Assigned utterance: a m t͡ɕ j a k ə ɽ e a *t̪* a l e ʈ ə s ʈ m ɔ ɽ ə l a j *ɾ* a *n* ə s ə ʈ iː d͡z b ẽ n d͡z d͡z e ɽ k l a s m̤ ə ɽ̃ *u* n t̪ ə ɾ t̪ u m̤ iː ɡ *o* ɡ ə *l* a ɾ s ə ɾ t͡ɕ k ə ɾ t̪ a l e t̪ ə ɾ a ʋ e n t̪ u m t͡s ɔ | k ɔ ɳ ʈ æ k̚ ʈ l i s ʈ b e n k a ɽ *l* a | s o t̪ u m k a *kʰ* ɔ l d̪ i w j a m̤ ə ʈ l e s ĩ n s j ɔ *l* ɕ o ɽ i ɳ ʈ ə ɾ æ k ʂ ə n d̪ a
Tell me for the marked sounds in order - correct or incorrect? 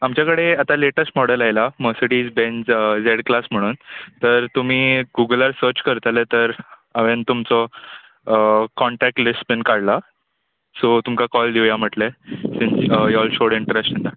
correct, incorrect: l, incorrect: m, incorrect: uː, incorrect: u, correct, correct, incorrect: k, correct

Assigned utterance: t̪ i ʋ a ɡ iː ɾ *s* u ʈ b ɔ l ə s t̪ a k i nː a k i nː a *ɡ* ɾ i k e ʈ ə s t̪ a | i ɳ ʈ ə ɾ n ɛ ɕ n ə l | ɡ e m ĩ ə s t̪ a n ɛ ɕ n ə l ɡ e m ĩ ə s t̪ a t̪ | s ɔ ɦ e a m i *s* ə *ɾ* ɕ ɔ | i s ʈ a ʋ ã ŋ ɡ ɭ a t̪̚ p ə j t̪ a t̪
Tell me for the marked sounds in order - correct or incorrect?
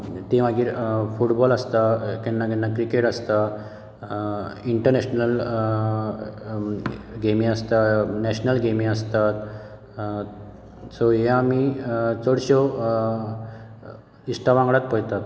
incorrect: f, incorrect: k, incorrect: t͡s, incorrect: ɽ

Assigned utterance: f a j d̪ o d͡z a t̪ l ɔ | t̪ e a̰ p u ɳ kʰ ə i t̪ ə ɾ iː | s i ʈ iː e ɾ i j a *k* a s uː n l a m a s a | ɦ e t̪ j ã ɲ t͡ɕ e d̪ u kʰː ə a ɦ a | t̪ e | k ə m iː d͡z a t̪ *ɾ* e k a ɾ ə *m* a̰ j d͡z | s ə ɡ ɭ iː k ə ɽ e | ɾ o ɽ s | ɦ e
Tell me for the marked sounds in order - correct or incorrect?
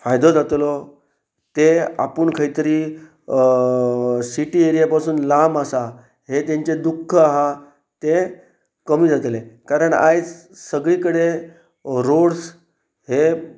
incorrect: p, incorrect: l, incorrect: ɳ

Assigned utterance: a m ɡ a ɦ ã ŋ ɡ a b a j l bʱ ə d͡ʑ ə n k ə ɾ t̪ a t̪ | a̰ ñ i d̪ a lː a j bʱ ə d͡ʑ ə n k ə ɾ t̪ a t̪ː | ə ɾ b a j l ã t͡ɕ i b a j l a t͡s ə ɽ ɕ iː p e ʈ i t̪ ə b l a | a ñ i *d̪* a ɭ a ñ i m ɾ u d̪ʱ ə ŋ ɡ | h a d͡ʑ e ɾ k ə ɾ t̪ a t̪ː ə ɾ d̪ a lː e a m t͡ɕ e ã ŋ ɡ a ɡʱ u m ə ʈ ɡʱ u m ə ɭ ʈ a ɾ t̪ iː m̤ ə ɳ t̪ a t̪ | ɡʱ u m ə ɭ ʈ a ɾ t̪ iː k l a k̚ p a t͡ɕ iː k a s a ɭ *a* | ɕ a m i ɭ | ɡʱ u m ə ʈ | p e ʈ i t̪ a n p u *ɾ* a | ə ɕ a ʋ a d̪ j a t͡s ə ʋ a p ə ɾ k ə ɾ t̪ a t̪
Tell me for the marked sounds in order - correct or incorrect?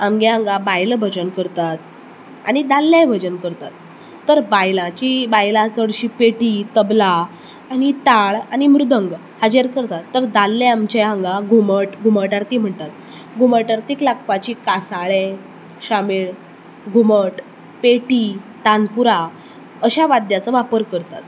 incorrect: t̪, incorrect: e, correct

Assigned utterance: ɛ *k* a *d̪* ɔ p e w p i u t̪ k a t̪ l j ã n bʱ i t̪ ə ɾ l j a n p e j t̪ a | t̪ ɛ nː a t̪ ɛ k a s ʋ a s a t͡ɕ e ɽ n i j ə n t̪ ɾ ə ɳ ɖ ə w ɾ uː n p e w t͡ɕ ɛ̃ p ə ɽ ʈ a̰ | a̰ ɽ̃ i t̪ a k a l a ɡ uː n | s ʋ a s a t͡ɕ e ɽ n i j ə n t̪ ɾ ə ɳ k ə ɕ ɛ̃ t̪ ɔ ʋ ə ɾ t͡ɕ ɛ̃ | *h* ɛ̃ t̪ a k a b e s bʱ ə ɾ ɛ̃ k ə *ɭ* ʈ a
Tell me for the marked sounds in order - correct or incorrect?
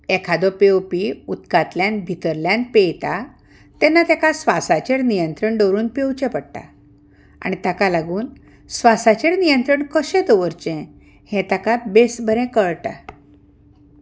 incorrect: kʰ, correct, correct, correct

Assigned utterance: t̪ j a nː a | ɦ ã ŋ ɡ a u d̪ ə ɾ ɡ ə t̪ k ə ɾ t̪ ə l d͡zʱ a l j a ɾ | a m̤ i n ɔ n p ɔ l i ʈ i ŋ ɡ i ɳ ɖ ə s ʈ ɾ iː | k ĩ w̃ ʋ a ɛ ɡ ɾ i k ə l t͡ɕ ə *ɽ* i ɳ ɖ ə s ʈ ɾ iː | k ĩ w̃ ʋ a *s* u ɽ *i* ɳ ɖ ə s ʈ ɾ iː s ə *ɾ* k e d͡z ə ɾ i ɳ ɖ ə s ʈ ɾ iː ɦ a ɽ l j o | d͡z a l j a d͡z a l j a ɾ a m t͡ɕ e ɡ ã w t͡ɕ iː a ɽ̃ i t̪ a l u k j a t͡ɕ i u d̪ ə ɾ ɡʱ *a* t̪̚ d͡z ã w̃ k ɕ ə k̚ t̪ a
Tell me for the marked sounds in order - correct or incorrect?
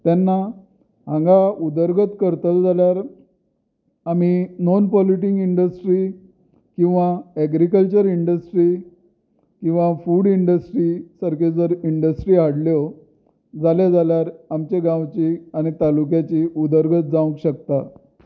incorrect: ɾ, incorrect: f, correct, correct, incorrect: ə

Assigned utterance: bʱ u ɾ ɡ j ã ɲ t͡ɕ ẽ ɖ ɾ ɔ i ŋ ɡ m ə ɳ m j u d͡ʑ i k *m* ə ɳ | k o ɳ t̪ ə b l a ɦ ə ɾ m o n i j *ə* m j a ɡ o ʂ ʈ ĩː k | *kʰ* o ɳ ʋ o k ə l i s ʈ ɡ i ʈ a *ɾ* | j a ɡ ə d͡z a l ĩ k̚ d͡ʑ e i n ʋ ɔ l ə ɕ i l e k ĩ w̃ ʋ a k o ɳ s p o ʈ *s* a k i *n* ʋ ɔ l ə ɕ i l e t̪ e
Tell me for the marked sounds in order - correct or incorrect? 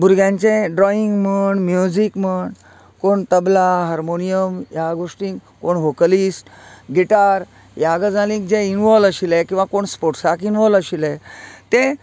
correct, correct, incorrect: k, correct, correct, correct

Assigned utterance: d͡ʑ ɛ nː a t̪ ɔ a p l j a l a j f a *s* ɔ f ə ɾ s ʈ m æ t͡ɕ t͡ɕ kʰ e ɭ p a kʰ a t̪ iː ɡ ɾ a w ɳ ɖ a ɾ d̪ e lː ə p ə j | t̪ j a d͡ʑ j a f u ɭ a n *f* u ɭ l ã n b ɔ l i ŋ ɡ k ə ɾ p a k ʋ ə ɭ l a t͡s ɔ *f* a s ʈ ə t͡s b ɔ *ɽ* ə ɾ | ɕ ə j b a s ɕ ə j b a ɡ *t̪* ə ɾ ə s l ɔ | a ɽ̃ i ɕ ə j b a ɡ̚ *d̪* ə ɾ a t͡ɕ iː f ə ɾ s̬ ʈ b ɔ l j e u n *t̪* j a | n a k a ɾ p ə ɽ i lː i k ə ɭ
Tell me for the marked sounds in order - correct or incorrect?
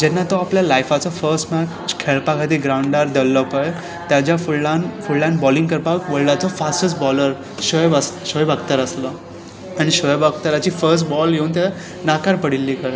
incorrect: t͡s, correct, correct, incorrect: l, correct, incorrect: t̪, correct

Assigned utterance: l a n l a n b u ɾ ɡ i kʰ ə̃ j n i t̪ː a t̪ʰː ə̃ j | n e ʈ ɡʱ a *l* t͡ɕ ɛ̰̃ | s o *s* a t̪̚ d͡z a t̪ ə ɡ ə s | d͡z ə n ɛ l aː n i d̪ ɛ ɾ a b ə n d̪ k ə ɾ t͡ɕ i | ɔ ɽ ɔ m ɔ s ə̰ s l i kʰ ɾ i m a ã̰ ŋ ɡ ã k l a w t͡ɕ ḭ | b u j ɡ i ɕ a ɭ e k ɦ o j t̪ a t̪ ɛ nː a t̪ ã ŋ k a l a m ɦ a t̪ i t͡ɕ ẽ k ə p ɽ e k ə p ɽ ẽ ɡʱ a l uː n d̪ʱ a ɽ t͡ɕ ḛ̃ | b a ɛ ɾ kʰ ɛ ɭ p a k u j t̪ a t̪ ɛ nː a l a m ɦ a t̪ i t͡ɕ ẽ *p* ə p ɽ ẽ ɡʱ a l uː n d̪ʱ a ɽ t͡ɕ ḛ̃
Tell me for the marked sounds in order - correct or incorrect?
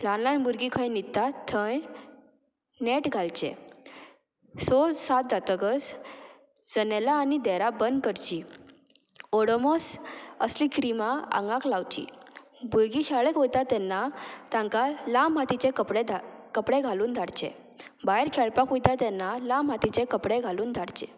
correct, correct, incorrect: k

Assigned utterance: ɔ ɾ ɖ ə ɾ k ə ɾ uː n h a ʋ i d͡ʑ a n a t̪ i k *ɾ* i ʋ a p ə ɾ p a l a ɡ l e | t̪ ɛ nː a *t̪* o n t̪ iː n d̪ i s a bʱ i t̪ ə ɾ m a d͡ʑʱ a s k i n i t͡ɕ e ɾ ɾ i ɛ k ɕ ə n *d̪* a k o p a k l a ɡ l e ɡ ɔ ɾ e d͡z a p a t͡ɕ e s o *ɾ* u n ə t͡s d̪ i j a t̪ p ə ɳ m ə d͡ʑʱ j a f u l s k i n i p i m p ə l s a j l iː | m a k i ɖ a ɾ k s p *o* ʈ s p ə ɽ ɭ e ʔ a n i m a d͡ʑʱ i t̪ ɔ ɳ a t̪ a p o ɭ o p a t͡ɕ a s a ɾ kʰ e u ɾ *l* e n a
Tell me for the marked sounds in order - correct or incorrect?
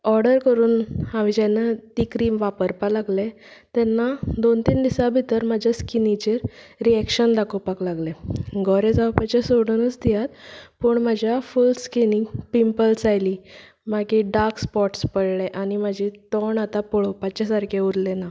correct, incorrect: d̪, correct, incorrect: ɽ, incorrect: ɔ, correct

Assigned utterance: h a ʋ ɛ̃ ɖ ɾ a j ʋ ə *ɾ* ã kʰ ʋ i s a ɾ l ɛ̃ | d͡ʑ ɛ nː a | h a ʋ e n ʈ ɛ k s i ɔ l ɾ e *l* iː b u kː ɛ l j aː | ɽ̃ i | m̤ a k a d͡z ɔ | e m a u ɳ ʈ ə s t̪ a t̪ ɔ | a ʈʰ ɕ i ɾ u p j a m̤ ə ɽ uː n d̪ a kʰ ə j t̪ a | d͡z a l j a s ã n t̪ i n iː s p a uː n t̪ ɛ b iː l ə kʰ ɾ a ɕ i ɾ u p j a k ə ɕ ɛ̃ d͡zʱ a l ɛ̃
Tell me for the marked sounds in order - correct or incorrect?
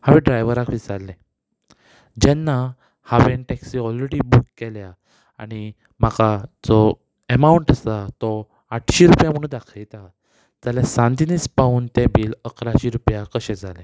correct, incorrect: ɽ

